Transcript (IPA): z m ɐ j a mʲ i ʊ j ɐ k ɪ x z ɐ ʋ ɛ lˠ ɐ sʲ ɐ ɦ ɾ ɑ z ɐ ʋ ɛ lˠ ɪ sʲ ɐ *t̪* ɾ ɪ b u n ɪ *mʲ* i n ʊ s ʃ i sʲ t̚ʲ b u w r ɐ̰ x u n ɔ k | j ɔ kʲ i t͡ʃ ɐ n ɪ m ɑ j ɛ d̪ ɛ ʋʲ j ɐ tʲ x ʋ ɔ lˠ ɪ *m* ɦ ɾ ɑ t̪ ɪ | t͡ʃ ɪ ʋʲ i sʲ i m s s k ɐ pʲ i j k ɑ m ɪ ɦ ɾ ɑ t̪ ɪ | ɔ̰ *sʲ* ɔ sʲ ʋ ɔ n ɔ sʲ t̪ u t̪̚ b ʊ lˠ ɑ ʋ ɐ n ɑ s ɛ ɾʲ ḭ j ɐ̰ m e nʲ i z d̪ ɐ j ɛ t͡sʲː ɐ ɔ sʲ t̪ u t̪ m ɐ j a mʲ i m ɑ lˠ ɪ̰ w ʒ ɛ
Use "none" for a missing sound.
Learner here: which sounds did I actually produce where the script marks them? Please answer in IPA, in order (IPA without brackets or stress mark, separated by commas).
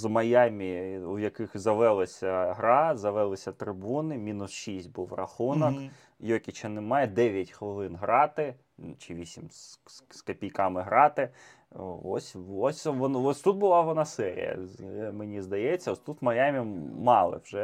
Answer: t̪, mʲ, n, sʲ